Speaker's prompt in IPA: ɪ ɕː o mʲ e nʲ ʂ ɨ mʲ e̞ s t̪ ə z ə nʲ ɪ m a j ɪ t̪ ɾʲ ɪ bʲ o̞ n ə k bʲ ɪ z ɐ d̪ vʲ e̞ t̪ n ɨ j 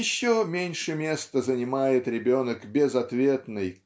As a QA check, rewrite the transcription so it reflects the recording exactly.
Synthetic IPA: ɪ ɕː o mʲ e nʲ ʂ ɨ mʲ e̞ s t̪ ə z ə nʲ ɪ m a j ɪ t̪ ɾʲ ɪ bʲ o̞ n ə k bʲ ɪ z ɐ t̪ vʲ e̞ t̪ n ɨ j